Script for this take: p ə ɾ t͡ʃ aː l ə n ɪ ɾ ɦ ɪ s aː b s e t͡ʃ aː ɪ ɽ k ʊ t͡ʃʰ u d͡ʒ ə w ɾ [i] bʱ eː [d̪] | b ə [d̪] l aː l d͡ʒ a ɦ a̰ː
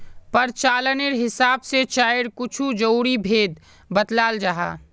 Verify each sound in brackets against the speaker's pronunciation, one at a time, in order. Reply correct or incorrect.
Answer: correct, correct, incorrect

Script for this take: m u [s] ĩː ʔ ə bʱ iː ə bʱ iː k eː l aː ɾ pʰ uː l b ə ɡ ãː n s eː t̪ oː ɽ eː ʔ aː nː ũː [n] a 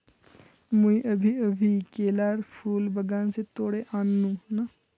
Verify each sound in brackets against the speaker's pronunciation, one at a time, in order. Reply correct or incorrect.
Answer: incorrect, correct

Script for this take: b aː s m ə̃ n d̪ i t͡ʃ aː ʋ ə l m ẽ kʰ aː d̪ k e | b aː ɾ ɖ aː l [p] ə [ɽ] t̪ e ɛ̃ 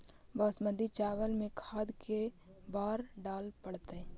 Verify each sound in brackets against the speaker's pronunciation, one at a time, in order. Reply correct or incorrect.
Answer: correct, correct

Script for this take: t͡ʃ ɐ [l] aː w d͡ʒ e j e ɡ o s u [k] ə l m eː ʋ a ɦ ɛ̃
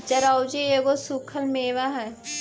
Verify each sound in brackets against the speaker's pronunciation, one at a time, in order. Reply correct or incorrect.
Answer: incorrect, incorrect

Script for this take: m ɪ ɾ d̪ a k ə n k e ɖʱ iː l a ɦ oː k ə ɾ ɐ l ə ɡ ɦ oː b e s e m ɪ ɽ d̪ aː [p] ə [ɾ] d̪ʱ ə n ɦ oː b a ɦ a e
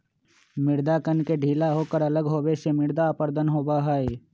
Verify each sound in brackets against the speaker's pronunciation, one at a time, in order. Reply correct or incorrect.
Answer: correct, correct

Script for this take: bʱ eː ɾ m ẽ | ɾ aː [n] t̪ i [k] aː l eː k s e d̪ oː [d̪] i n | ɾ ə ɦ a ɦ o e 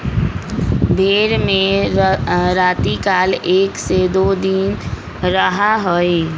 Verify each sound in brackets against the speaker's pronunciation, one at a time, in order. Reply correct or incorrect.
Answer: incorrect, correct, correct

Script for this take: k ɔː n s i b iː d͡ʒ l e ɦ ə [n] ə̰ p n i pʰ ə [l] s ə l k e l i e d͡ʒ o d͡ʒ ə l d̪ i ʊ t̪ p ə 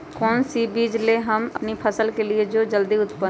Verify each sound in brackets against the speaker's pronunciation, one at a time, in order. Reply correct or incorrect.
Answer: incorrect, incorrect

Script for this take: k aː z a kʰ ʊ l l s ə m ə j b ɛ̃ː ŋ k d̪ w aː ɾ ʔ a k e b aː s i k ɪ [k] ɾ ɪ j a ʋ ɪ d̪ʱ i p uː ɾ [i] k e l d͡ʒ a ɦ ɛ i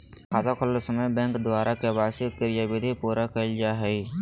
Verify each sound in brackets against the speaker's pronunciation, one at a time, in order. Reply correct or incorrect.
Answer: incorrect, incorrect

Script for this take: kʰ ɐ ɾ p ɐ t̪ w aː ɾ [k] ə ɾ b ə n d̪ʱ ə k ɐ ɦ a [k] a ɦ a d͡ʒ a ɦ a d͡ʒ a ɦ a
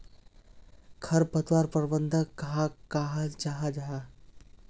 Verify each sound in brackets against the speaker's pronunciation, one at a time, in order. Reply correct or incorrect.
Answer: incorrect, correct

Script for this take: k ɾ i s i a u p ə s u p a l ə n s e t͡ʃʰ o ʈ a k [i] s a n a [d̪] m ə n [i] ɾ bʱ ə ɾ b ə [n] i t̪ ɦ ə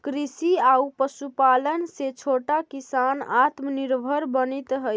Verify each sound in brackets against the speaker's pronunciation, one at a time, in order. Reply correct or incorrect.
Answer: correct, incorrect, correct, correct

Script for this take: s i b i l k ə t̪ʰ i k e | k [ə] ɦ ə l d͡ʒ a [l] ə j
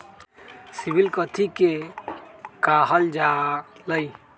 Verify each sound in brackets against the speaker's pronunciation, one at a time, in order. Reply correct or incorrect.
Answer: incorrect, correct

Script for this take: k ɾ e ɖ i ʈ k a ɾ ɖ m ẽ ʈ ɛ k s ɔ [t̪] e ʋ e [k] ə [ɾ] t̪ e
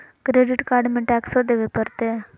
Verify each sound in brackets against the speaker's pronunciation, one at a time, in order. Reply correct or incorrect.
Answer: incorrect, incorrect, correct

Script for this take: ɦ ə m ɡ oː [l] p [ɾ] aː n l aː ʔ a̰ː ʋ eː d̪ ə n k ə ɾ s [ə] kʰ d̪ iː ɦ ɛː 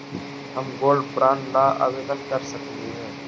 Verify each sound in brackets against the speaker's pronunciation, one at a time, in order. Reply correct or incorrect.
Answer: correct, correct, correct

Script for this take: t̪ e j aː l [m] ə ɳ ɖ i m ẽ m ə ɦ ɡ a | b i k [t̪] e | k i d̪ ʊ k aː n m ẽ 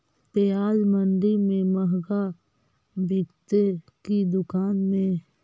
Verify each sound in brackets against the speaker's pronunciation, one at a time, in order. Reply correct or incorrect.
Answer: correct, correct

